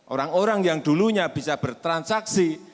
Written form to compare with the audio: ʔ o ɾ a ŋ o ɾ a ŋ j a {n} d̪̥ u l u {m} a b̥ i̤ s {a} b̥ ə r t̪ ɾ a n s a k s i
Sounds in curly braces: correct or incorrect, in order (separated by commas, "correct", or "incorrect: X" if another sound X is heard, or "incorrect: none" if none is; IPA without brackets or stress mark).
incorrect: ŋ, incorrect: ɲ, correct